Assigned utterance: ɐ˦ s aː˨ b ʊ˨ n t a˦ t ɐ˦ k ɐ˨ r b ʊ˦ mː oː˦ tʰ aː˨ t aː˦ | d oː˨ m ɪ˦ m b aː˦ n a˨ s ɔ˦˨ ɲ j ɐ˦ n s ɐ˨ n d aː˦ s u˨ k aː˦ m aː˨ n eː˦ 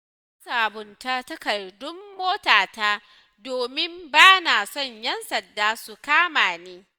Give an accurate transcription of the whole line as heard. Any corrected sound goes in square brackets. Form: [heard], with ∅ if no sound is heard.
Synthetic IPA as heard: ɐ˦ s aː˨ b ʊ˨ n t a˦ t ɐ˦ k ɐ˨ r [d] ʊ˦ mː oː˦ [t] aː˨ t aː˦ | d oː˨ m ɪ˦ m b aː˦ n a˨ s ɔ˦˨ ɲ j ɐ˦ n s ɐ˨ n d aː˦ s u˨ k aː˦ m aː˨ n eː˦